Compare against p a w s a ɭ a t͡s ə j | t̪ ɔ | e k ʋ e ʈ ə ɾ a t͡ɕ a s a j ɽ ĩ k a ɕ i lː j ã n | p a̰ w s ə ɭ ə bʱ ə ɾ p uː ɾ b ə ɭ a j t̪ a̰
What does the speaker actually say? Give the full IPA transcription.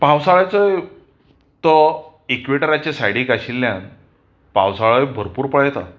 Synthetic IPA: p a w s a ɭ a t͡s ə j | t̪ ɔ | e k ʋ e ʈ ə ɾ a t͡ɕ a s a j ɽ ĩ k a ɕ i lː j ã n | p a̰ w s a ɭ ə bʱ ə ɾ p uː ɾ p ə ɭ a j t̪ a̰